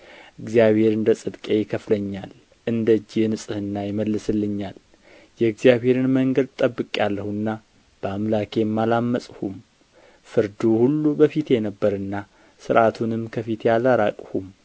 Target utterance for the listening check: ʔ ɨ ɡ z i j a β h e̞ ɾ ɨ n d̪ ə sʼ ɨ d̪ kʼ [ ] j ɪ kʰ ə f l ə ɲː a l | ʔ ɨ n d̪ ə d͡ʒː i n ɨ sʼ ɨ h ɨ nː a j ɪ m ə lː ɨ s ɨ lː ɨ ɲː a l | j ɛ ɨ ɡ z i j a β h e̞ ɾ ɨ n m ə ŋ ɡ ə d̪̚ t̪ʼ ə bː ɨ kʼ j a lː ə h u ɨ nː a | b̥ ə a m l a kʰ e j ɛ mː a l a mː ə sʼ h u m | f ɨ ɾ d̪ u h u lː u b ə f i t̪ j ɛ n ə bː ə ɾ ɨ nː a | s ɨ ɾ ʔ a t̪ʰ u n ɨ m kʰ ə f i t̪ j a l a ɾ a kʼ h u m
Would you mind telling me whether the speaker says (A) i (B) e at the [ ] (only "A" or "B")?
B